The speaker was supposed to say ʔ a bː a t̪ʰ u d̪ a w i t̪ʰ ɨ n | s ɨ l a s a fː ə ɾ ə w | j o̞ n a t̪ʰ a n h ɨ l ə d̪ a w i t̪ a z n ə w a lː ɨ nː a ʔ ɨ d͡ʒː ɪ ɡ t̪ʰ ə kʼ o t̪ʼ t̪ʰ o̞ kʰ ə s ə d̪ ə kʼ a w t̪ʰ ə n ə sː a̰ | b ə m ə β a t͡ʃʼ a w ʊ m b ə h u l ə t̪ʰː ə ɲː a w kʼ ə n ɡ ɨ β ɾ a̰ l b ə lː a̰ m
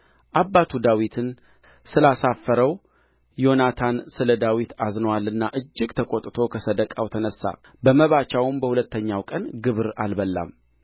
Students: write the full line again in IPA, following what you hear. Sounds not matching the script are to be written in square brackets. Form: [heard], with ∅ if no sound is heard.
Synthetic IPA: ʔ a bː a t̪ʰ u d̪ a w i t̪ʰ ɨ n | s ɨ l a s a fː ə ɾ ə w | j o̞ n a t̪ʰ a n [s] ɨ l ə d̪ a w i t̪ a z n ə w a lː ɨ nː a ʔ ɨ d͡ʒː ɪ ɡ t̪ʰ ə kʼ o t̪ʼ t̪ʰ o̞ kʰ ə s ə d̪ ə kʼ a w t̪ʰ ə n ə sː a̰ | b ə m ə β a [t͡ʃ] a w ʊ m b ə h u l ə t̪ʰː ə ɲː a w kʼ ə n ɡ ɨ β ɾ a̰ l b ə lː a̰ m